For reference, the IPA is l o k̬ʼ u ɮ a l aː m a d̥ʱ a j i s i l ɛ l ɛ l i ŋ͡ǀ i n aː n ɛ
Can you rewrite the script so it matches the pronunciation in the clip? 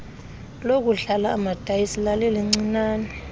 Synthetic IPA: l o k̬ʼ u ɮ a l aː m a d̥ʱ a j i s i l a l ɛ l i ŋ͡ǀ i n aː n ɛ